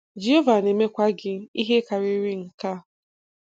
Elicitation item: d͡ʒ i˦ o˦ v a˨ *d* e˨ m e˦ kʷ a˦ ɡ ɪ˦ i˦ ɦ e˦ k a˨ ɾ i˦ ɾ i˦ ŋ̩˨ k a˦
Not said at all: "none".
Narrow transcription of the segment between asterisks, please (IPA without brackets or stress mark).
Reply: n